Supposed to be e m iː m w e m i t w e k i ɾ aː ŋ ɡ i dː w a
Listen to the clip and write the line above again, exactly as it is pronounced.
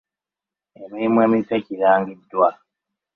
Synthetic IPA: e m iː m w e m i t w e c i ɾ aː ŋ ɡ i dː w a